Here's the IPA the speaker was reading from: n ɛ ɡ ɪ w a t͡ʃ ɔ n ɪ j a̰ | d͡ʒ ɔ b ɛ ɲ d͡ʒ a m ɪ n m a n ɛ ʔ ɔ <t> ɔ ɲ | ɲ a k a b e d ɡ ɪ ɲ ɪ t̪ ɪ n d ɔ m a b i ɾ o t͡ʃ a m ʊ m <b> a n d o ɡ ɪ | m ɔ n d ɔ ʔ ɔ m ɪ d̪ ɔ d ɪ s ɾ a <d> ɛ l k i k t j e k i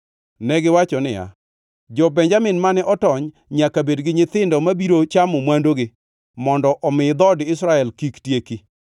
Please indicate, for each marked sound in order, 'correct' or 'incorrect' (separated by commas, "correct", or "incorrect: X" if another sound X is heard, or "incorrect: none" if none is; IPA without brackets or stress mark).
correct, incorrect: w, incorrect: none